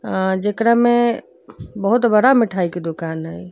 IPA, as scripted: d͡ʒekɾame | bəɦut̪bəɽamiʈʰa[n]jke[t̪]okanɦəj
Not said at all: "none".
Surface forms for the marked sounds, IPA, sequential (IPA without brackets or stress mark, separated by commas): none, d̪